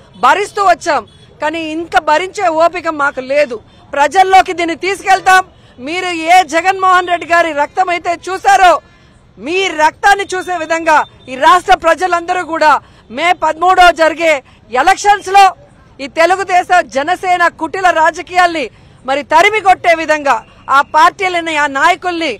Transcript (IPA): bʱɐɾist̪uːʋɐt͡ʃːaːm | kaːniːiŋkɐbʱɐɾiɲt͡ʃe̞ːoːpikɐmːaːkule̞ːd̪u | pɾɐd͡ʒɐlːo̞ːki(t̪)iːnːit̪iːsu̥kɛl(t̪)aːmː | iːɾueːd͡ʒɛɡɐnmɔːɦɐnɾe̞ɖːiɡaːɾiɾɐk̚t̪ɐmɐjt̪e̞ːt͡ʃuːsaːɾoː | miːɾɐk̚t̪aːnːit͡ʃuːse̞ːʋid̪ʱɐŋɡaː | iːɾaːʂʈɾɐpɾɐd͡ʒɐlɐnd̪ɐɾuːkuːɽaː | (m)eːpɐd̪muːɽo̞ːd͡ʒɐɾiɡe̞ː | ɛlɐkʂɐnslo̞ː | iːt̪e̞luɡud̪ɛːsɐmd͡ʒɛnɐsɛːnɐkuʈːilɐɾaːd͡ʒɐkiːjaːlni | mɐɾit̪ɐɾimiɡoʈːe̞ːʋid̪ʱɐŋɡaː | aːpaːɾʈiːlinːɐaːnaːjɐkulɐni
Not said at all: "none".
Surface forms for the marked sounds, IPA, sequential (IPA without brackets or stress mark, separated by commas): d̪, t̪, m